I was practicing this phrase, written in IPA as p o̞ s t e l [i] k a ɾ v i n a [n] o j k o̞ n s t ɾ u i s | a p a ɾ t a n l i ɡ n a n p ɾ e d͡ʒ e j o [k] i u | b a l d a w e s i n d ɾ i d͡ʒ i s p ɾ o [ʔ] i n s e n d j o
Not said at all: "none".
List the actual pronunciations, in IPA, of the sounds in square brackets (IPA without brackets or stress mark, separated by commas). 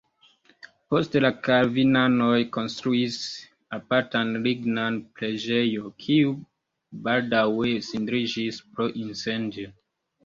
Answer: a, n, kʰ, ʔ